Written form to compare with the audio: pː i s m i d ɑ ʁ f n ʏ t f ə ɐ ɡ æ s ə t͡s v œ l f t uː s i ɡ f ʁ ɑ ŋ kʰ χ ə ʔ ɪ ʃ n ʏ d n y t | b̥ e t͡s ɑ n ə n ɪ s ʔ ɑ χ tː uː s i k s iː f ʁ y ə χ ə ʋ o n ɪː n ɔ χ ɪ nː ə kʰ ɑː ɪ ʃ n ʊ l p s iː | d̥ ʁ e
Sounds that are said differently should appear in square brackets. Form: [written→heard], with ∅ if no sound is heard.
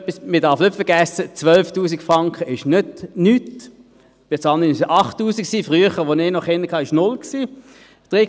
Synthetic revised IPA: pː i s m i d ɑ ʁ f n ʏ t f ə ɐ ɡ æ s ə t͡s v œ l f t uː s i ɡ f ʁ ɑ ŋ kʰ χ ə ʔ ɪ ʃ n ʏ d n y t | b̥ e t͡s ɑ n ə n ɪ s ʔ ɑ χ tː uː s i k s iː f ʁ y ə χ ə ʋ o n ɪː n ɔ χ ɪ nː ə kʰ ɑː ɪ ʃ n ʊ l [p→k] s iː | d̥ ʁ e